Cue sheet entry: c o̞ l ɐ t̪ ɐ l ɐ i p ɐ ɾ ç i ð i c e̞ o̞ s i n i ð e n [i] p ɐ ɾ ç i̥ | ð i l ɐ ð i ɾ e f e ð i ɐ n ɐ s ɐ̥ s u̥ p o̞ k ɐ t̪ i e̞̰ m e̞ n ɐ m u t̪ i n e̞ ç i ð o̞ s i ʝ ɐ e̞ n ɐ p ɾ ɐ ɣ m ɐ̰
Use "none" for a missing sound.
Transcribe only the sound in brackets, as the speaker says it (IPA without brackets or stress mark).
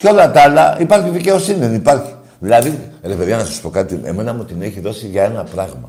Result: i